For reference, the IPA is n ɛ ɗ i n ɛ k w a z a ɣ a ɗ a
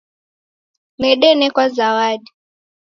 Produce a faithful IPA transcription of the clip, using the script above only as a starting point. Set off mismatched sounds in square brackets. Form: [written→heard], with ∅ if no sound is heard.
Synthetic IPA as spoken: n ɛ ɗ [i→ɛ] n ɛ k w a z a [ɣ→w] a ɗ [a→i]